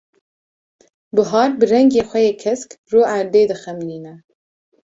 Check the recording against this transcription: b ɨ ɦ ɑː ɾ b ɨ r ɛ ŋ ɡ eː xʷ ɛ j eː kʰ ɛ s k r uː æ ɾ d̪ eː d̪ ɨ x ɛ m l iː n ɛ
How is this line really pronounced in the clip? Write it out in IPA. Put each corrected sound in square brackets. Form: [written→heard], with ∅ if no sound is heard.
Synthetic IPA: b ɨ ɦ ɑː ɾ b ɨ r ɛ ŋ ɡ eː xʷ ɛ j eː kʰ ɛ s k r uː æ ɾ d̪ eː d̪ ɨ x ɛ m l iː n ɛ